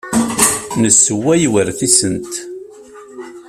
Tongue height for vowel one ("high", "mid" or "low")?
mid